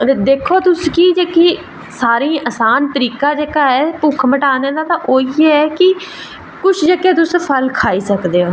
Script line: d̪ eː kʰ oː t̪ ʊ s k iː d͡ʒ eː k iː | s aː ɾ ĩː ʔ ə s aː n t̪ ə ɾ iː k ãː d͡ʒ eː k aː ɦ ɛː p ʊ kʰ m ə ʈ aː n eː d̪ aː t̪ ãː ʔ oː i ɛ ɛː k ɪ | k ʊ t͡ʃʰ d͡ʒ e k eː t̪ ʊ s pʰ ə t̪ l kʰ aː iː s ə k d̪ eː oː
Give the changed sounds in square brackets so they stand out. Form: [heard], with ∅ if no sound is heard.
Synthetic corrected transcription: d̪ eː kʰ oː t̪ ʊ s k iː d͡ʒ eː k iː | s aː ɾ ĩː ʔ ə s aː n t̪ ə ɾ iː k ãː d͡ʒ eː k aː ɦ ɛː p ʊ kʰ m ə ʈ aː n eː d̪ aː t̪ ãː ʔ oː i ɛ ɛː k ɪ | k ʊ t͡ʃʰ d͡ʒ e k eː t̪ ʊ s pʰ ə [∅] l kʰ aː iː s ə k d̪ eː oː